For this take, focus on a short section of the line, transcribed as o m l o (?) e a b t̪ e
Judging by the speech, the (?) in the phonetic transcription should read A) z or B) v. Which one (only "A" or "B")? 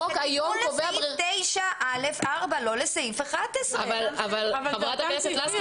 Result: B